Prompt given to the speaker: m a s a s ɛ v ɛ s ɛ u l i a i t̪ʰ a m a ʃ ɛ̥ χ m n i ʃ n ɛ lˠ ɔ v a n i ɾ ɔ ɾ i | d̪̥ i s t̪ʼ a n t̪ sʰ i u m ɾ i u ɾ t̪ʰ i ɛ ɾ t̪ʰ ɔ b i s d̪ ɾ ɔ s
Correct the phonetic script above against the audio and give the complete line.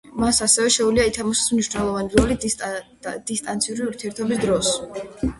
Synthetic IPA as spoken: m a s a s ɛ v ɛ ʃ ɛ u l i a i t̪ʰ a m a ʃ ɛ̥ s m n i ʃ n ɛ lˠ ɔ v a n i ɾ ɔ l i | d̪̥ i s t̪ʼ a n t̪ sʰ i u ɾ i u ɾ t̪ʰ i ɛ ɾ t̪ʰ ɔ b i s d̪ ɾ ɔ s